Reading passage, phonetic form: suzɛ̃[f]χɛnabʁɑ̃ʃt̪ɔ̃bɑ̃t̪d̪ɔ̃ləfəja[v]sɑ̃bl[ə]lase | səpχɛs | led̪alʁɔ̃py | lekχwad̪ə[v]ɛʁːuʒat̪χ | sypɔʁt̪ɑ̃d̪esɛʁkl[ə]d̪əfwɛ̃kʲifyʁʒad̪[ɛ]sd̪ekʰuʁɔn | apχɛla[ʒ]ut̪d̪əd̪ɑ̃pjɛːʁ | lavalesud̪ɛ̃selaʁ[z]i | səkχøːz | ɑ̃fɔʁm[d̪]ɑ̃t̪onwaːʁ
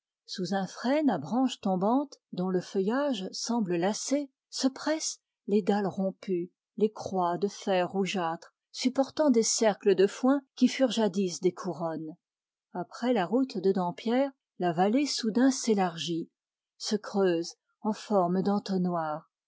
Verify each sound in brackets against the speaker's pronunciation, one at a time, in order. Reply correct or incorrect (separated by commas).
correct, incorrect, correct, incorrect, correct, incorrect, incorrect, incorrect, correct